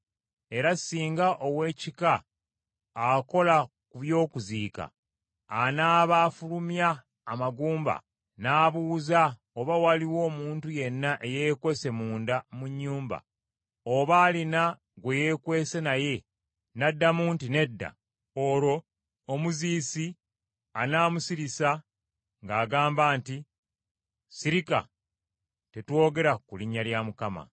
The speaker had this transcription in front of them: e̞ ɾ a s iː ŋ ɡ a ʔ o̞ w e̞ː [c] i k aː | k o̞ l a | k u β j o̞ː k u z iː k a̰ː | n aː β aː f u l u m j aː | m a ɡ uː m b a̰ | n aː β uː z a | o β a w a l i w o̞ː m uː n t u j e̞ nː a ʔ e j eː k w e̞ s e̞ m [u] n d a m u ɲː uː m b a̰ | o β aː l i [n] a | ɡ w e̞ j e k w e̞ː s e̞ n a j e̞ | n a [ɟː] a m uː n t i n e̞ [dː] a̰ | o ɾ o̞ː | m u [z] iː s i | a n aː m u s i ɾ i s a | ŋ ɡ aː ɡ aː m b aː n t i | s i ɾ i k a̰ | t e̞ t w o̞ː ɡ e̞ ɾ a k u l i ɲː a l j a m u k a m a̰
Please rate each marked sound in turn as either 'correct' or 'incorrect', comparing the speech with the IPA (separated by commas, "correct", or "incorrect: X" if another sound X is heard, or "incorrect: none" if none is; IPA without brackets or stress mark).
correct, incorrect: uː, correct, incorrect: dː, correct, correct